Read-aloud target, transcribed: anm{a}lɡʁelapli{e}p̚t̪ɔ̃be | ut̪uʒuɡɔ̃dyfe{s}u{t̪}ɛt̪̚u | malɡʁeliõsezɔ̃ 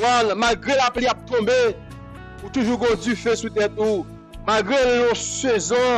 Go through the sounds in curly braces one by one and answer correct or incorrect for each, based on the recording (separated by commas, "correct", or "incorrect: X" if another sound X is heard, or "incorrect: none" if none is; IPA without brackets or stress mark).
correct, incorrect: a, correct, correct